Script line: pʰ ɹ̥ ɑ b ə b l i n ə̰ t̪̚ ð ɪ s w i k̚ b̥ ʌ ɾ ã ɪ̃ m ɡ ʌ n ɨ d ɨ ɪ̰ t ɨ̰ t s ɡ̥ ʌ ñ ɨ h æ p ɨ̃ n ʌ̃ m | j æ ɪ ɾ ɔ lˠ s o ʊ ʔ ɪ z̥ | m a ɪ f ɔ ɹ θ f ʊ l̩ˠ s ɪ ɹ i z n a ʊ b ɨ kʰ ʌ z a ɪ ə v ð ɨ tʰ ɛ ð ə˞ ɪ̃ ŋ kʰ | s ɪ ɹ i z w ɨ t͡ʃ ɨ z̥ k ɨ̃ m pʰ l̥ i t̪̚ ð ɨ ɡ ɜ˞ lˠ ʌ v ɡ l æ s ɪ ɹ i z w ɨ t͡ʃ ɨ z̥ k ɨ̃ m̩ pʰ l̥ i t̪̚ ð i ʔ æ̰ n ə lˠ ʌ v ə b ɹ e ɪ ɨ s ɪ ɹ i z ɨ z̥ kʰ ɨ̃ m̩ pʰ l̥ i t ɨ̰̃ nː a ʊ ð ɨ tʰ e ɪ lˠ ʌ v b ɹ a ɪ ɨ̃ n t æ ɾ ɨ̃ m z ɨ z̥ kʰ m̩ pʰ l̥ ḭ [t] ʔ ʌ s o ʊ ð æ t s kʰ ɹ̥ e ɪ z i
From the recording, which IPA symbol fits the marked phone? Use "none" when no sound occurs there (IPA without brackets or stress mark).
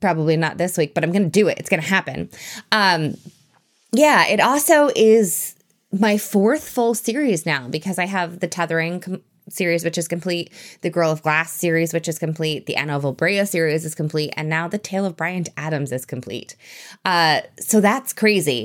t